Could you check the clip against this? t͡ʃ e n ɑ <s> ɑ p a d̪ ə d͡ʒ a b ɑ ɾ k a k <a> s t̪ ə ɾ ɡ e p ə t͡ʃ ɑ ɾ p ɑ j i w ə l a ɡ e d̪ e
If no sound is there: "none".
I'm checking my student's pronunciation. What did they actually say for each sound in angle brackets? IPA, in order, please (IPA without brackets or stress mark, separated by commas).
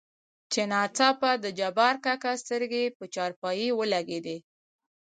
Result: t͡s, a